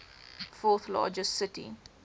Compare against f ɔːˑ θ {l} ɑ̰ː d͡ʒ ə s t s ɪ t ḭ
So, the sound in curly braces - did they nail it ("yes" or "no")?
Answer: yes